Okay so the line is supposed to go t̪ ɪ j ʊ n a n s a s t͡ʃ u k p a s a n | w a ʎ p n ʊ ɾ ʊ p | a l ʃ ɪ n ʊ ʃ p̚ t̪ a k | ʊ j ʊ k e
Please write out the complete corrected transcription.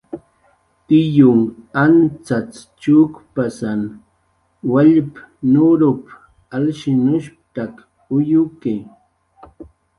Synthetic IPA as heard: t̪ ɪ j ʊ ŋ a n t͡s a t͡s t͡ʃ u k p a s a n | w a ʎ p n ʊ ɾ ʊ p | a l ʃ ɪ n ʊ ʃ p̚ t̪ a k | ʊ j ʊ k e